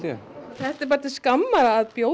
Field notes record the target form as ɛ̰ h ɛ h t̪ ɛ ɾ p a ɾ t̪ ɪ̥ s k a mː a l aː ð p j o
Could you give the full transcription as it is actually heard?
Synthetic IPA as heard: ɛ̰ θ ɛ h t̪ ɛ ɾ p a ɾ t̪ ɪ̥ s k a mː a ɾ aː ð p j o

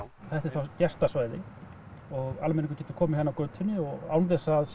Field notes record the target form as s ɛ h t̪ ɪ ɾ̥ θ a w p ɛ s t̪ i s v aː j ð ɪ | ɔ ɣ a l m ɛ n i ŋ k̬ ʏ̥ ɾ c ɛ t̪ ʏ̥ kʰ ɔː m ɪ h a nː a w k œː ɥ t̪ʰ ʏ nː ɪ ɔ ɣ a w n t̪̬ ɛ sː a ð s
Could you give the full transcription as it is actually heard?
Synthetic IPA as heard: θ ɛ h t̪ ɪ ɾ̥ θ a w c ɛ s t̪ a s v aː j ð ɪ | ɔ ɣ a l m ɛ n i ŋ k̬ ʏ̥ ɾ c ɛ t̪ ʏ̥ kʰ ɔː m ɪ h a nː a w k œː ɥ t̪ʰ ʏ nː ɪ ɔ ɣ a w n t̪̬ ɛ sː a ð s

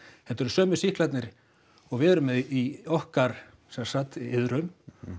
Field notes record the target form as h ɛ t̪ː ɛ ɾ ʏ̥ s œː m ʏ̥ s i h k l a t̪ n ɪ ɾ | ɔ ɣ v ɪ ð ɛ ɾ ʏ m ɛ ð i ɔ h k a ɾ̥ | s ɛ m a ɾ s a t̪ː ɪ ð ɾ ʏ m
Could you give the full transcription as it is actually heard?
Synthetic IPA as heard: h ɛ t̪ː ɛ ɾ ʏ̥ s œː m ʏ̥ s i h k l a t̪ n ɪ ɾ | ɔ ɣ v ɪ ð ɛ ɾ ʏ m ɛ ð i ɔ h k a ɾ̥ | s ɛ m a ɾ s a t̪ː ɪ ð ɾ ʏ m

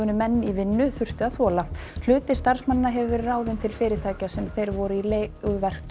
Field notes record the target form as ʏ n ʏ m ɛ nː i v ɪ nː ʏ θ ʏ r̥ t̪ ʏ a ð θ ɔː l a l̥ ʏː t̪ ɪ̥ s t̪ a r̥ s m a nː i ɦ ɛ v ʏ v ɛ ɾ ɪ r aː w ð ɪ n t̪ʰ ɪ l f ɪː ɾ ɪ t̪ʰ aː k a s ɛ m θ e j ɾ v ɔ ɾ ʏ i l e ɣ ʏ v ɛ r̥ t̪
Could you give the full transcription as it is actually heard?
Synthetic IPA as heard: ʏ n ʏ m ɛ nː i v ɪ nː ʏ θ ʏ r̥ t̪ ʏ a ð θ ɔː l a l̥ ʏː t̪ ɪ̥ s t̪ a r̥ s m a nː a ɦ ɛ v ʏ v ɛ ɾ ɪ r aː w ð ɪ n t̪ʰ ɪ l f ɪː ɾ ɪ t̪ʰ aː c a s ɛ m θ e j ɾ v ɔ ɾ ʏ i l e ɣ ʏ v ɛ r̥ t̪

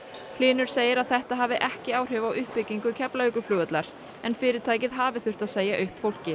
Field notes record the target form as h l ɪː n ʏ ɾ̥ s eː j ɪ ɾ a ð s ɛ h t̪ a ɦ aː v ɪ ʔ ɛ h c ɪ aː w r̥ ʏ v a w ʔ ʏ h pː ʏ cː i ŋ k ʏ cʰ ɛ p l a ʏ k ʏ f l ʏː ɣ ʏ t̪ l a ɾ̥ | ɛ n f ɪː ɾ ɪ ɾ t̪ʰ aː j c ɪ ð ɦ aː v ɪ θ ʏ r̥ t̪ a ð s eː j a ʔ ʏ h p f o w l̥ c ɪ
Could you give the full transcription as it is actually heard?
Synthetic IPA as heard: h l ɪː n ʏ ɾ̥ s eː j ɪ ɾ a ð θ ɛ h t̪ a ɦ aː v ɪ ʔ ɛ h c ɪ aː w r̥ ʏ v a w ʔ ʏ h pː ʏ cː i ŋ k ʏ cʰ ɛ p l a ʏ k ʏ f l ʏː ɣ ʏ t̪ l a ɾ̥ | ɛ n f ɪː ɾ ɪ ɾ t̪ʰ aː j c ɪ ð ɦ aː v ɪ θ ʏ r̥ t̪ a ð s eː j a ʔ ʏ h p f o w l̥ c ɪ

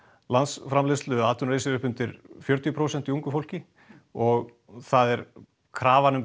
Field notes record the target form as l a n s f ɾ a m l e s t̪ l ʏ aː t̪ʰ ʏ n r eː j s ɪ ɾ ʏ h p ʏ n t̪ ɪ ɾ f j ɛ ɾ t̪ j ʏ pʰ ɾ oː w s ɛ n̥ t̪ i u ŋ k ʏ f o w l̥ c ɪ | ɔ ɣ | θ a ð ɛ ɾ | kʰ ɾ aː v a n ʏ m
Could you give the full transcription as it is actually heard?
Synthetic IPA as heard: l a n s f ɾ a m l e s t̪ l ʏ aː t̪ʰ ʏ n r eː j s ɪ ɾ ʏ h p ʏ n t̪ ɪ ɾ f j œ ɾ t̪ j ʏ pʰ ɾ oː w s ɛ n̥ t̪ i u ŋ k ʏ f o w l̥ c ɪ | ɔ ɣ | θ a ð ɛ ɾ | kʰ ɾ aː v a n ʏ m

